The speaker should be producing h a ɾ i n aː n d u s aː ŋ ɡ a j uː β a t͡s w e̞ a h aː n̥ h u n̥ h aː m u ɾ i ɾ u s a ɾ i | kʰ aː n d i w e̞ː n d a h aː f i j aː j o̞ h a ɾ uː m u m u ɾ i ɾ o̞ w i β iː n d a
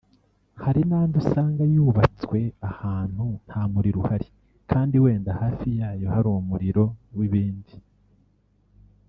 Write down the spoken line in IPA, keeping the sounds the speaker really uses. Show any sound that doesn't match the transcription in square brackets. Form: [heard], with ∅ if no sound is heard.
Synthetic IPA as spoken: h a ɾ i n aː n d u s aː ŋ ɡ a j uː β a t͡s w e̞ a h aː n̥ h u n̥ h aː m u ɾ i ɾ u [h] a ɾ i | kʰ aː n d i w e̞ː n d a h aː f i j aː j o̞ h a ɾ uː m u m u ɾ i ɾ o̞ w i β iː n d [i]